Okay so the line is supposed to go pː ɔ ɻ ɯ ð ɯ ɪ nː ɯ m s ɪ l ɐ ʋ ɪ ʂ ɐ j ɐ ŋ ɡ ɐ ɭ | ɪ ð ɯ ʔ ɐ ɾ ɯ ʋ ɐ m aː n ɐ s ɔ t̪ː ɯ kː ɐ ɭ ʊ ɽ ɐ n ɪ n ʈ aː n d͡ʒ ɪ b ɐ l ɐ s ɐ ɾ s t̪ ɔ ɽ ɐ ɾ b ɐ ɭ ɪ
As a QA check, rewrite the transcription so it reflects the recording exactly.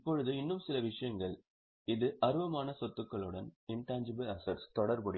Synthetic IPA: pː ɔ ɻ ɯ ð ɯ ɪ nː ɯ m s ɪ l ɐ ʋ ɪ ʂ ɐ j ɐ ŋ ɡ ɐ ɭ | ɪ ð ɯ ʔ ɐ ɾ ɯ ʋ ɐ m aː n ɐ s ɔ t̪ː ɯ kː ɐ ɭ ɯ ɽ ɐ n ɪ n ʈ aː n d͡ʒ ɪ b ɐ l ɐ s ɐ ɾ s t̪ ɔ ɽ ɐ ɾ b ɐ ɽ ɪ